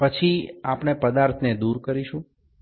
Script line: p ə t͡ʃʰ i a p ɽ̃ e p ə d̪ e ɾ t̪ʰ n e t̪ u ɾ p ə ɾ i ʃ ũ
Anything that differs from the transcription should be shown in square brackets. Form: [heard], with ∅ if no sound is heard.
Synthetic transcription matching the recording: p ə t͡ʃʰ i a p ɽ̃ e p ə d̪ [a] ɾ t̪ʰ n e [d̪] u ɾ [k] ə ɾ i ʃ ũ